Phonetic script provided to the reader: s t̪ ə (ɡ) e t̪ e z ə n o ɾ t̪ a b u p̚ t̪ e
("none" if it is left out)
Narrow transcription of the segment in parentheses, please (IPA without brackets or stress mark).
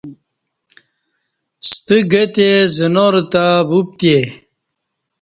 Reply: ɡ